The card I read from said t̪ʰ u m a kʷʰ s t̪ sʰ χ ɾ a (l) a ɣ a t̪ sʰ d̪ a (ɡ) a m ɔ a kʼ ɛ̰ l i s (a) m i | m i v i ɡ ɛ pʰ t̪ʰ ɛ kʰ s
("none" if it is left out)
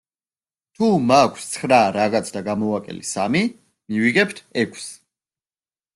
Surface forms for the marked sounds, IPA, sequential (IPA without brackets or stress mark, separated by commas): ɾ, ɡ, a